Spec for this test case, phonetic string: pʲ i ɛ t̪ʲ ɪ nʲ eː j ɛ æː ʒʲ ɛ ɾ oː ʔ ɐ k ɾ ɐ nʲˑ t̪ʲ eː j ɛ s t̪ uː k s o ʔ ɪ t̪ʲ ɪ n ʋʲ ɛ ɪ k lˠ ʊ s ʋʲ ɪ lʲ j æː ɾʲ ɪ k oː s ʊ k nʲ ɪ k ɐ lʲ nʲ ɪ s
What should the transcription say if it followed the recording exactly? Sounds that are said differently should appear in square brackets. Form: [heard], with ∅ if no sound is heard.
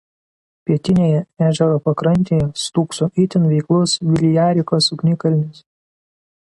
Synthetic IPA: pʲ i ɛ t̪ʲ ɪ nʲ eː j ɛ æː ʒʲ ɛ ɾ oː [p] ɐ k ɾ ɐ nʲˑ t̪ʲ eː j ɛ s t̪ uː k s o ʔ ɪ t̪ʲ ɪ n ʋʲ ɛ ɪ k lˠ ʊ s ʋʲ ɪ lʲ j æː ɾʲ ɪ k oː s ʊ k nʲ ɪ k ɐ lʲ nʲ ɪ s